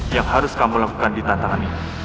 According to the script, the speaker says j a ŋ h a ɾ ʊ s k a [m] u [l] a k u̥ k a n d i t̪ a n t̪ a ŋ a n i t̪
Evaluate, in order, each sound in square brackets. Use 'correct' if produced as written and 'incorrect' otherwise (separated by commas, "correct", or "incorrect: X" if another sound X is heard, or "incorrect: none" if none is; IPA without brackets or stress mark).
correct, correct